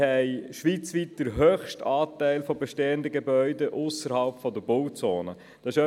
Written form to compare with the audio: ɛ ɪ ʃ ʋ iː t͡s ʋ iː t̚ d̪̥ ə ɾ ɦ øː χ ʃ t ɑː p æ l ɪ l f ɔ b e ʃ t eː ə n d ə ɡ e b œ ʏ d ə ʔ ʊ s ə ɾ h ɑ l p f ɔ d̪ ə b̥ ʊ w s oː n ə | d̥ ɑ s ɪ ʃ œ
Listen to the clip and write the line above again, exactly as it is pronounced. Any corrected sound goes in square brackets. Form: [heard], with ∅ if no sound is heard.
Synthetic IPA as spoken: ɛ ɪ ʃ ʋ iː t͡s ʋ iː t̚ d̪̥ ə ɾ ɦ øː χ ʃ t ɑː [t] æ [∅] ɪ l f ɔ b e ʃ t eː ə n d ə ɡ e b œ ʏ d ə ʔ ʊ s ə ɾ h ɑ l p f ɔ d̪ ə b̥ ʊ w [t͡s] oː n ə | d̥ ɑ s ɪ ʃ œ